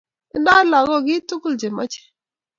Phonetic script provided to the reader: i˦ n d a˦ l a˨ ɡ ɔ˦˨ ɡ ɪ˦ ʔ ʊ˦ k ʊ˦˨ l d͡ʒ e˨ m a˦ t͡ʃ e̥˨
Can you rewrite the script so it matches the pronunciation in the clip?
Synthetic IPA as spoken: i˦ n d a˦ l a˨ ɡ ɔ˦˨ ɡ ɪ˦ t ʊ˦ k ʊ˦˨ l d͡ʒ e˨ m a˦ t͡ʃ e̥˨